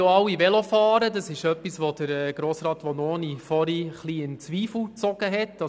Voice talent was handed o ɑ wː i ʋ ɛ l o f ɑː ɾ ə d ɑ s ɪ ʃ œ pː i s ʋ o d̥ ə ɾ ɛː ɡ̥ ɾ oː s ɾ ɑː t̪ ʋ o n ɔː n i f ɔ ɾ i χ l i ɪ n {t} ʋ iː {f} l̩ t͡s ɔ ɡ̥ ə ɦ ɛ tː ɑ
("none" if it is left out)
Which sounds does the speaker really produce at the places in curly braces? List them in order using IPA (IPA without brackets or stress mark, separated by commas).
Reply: t͡s, f